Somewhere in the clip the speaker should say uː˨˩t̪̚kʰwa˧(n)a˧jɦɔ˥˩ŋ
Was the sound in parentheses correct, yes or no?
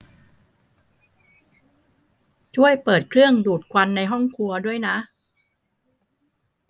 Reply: no